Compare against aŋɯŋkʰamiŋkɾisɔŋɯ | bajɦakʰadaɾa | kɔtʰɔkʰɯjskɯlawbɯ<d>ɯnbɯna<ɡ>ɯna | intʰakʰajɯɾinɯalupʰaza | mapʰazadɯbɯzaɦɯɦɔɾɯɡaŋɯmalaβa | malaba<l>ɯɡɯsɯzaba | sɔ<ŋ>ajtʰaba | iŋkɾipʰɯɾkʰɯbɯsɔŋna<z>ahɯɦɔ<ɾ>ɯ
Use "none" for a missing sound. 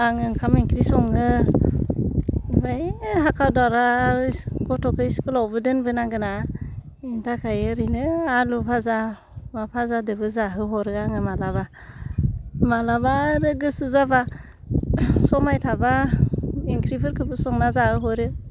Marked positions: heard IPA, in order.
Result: d, ɡ, ɾ, m, z, ɾ

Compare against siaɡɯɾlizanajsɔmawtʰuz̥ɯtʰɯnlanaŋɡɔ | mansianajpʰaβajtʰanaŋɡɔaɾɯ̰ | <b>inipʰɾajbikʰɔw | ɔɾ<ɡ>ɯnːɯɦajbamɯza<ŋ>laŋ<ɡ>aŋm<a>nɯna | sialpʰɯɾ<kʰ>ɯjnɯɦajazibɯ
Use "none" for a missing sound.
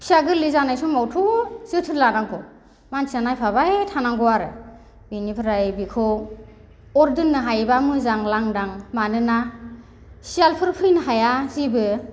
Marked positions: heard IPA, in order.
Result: b, d, ŋ, d, a, pʰ

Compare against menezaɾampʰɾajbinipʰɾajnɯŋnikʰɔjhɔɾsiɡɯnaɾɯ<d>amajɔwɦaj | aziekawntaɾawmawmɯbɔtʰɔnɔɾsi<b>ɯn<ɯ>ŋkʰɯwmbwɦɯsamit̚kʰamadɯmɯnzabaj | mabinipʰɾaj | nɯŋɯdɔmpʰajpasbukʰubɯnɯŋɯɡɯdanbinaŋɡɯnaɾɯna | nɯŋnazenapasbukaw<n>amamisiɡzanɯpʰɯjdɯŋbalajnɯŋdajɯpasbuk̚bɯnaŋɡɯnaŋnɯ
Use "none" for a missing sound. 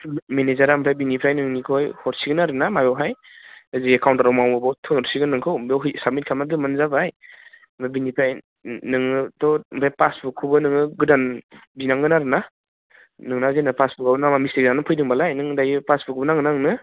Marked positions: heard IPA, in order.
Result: n, ɡ, ɯ, n

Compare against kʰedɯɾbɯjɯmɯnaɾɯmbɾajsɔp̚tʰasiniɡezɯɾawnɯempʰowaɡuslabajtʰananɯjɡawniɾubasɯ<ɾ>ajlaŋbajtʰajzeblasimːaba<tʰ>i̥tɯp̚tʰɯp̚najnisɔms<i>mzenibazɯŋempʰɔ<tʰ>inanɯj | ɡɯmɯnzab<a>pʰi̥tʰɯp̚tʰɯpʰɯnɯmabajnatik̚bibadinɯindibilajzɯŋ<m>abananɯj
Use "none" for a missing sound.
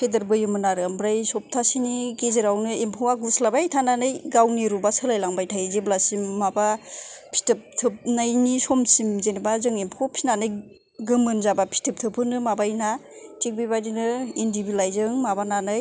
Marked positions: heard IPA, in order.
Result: l, pʰ, i, pʰ, a, m

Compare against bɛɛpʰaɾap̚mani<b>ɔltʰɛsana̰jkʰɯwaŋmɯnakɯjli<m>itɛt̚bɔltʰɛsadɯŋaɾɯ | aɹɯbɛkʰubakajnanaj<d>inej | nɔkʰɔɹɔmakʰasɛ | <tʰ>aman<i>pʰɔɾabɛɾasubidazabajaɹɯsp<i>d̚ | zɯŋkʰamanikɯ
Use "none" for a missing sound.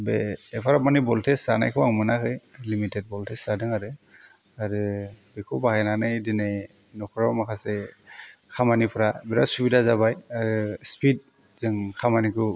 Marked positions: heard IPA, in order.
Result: b, m, d, kʰ, i, i

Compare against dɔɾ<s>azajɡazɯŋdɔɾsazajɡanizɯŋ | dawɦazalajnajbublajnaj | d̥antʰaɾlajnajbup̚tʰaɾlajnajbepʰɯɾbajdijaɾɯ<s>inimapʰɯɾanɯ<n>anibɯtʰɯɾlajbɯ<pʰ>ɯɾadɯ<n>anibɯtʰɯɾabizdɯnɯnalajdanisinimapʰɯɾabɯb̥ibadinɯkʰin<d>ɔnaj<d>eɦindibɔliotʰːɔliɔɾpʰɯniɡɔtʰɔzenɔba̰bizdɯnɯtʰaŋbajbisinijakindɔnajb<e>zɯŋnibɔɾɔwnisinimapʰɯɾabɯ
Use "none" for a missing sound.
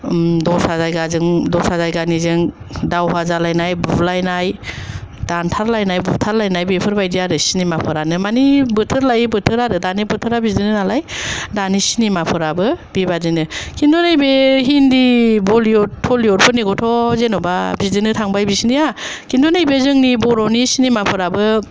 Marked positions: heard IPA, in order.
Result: s, s, m, tʰ, d, d, b, e

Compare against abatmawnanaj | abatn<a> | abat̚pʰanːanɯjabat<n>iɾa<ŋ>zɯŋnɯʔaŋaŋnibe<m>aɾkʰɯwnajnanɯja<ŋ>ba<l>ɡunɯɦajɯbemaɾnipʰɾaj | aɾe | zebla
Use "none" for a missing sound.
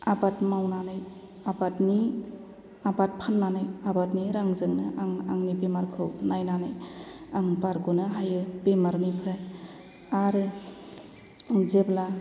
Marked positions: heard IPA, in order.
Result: i, n, ŋ, m, ŋ, ɾ

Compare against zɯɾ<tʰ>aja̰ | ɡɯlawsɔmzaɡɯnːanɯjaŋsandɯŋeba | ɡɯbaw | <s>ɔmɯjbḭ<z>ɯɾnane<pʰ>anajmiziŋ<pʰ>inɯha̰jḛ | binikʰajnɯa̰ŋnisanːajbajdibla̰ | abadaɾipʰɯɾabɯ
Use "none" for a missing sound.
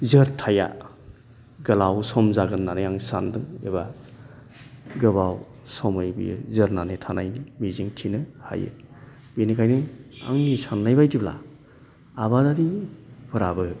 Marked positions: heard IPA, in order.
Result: tʰ, s, z, tʰ, tʰ

